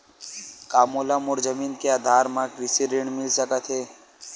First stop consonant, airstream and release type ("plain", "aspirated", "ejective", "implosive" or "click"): plain